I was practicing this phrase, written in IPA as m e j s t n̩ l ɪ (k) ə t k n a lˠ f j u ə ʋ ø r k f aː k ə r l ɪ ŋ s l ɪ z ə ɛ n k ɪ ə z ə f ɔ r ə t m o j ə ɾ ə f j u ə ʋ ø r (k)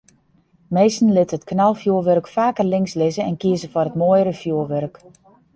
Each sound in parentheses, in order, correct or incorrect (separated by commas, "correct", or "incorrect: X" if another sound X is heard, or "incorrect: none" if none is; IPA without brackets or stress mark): incorrect: t, correct